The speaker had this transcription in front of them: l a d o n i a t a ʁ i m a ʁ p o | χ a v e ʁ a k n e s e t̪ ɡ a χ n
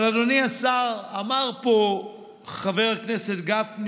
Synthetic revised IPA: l a d o n i a s a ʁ a m a ʁ p o | χ a v e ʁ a k n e s e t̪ ɡ a f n